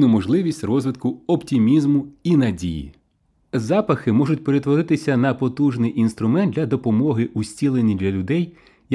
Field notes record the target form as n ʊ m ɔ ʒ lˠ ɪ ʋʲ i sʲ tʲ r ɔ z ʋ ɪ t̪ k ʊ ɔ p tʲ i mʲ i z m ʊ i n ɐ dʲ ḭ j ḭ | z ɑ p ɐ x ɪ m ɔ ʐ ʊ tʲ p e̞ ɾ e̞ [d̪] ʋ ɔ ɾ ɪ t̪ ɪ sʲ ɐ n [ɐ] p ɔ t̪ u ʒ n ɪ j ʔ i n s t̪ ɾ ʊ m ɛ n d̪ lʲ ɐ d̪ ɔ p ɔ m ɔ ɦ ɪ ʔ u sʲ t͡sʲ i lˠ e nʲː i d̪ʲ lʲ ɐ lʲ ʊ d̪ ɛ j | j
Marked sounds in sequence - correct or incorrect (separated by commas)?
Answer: incorrect, correct